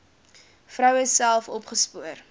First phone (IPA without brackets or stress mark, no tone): f